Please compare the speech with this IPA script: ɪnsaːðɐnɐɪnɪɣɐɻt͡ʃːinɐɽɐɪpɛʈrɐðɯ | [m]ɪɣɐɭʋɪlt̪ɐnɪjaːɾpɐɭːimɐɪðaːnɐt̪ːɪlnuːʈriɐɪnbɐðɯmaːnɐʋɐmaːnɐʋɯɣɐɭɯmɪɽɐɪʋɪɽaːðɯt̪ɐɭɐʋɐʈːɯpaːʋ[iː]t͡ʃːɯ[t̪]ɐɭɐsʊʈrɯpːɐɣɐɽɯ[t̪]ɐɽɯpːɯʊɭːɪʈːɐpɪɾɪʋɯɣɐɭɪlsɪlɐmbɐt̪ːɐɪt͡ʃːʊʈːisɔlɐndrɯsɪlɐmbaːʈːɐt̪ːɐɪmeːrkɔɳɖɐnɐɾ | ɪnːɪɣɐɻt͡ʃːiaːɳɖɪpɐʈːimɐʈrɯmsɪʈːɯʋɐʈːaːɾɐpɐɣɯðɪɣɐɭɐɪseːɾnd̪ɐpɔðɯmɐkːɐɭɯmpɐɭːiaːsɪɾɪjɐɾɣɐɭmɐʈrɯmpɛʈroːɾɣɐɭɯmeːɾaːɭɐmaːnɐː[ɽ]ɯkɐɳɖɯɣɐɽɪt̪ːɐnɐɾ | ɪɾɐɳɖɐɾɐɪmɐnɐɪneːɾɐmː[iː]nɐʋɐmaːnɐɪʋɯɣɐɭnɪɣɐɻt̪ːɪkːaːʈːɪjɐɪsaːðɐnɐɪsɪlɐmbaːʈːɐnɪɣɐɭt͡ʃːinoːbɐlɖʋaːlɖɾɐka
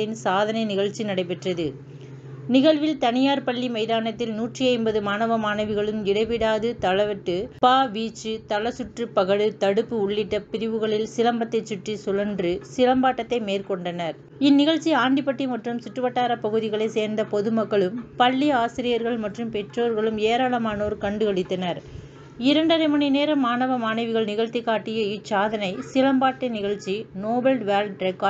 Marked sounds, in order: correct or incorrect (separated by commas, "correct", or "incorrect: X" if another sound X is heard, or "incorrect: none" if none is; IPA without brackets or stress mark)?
incorrect: n, correct, correct, correct, incorrect: ɾ, incorrect: aː